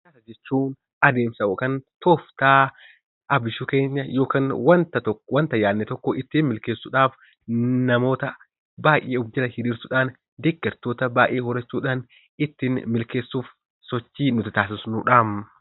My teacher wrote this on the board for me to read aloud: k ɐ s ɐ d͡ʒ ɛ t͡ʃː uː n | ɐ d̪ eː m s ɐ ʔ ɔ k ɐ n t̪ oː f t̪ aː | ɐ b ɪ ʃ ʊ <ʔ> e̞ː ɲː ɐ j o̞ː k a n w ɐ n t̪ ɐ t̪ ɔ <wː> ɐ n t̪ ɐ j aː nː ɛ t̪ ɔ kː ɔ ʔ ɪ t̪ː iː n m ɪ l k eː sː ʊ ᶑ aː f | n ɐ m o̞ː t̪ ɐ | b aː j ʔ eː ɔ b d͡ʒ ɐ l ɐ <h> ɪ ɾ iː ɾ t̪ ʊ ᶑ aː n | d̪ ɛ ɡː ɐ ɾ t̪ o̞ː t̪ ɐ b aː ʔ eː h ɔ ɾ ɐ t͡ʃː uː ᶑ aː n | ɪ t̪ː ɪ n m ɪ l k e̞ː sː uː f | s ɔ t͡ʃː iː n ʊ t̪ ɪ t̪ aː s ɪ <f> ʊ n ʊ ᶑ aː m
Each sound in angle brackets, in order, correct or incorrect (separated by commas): incorrect, incorrect, correct, incorrect